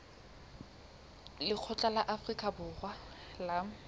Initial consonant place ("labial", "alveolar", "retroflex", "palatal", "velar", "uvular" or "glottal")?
alveolar